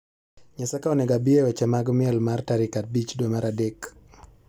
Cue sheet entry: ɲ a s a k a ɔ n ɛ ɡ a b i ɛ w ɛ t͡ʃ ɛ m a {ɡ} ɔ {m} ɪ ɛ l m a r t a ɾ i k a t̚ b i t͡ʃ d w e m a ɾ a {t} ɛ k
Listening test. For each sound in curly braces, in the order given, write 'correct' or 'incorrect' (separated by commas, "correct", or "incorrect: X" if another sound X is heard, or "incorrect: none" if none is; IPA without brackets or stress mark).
correct, correct, incorrect: d